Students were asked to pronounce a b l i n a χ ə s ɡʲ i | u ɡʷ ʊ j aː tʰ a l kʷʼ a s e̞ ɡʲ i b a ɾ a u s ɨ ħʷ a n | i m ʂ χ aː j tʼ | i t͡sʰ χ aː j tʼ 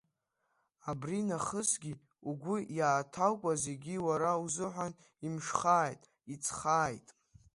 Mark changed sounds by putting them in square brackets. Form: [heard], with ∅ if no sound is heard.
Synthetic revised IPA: a b [r] i n a χ ə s ɡʲ i | u ɡʷ ʊ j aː tʰ a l kʷʼ a [z] e̞ ɡʲ i [w] a ɾ a u [z] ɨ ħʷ a n | i m ʂ χ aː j tʼ | i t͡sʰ χ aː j tʼ